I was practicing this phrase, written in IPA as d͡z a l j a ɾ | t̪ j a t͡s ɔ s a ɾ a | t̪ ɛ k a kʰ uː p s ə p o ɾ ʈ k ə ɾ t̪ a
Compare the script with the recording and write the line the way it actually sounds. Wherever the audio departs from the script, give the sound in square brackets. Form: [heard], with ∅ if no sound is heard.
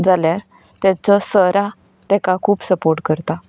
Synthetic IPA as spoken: d͡z a l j a ɾ | t̪ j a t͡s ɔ s [ə] ɾ a | t̪ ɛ k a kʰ uː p s ə p o ɾ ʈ k ə ɾ t̪ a